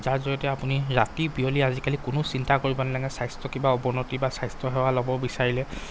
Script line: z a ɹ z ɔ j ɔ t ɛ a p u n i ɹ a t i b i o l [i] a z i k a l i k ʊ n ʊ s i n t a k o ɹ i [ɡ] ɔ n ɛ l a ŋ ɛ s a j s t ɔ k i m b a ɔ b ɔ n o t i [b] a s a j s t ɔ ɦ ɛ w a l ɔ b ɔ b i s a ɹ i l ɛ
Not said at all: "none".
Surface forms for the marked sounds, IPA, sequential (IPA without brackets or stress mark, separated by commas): i, b, b